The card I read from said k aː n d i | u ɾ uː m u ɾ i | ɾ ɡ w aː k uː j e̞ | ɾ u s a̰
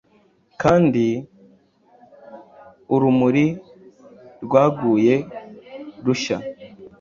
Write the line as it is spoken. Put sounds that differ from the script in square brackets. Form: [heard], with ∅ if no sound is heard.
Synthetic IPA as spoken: k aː n d i | u ɾ [u] m u ɾ i | ɾ ɡ w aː [ɡ] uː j e̞ | ɾ u [ʃ] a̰